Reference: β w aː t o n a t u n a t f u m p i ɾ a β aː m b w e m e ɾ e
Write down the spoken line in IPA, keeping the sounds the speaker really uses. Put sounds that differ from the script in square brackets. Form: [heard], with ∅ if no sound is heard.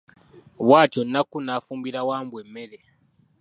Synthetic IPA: β w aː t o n a [k] u n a [∅] f u m [b] i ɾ a [w] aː m b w e m e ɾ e

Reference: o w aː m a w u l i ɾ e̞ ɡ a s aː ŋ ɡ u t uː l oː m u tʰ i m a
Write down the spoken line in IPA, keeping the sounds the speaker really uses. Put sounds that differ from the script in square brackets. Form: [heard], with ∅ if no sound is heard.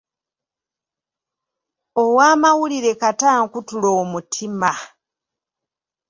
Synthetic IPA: o w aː m a w u l i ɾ e̞ [k] a [t] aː ŋ [k] u t [u] l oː m u tʰ i m a

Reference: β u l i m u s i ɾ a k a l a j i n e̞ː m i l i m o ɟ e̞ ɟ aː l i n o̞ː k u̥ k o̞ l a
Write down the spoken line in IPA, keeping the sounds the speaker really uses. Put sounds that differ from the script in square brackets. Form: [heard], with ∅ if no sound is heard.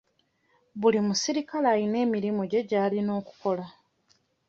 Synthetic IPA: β u l i m u s i ɾ [i] k a l a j i n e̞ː m i [ɾ] i m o ɟ e̞ ɟ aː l i n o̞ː k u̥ k o̞ l a

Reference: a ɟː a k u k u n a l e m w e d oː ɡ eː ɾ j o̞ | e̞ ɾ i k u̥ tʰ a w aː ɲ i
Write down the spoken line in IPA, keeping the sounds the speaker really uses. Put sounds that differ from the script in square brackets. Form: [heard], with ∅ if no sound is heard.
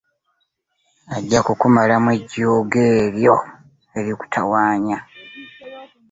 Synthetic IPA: a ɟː a k u k u [m] a l [a] m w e [ɟ] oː ɡ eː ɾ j o̞ | e̞ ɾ i k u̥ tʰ a w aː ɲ [a]

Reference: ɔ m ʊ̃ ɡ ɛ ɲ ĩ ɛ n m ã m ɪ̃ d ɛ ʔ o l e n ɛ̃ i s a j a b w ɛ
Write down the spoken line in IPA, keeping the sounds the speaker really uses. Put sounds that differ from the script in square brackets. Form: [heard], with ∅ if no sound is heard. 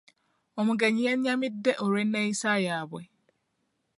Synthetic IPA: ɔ m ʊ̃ ɡ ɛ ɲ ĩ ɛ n [ɲ] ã m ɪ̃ d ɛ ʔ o [ɾ] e n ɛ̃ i s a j a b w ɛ

